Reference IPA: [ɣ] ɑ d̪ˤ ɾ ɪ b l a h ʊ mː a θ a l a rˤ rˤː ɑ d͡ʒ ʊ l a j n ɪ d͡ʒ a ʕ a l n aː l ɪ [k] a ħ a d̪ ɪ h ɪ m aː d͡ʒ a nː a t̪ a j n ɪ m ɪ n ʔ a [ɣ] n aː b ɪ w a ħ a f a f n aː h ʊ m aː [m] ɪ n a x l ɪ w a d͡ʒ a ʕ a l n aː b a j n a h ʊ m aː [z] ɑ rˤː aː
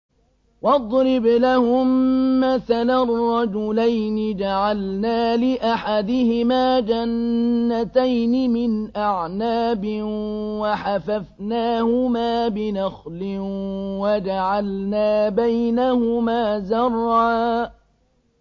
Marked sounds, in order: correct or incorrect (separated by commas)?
incorrect, incorrect, incorrect, incorrect, correct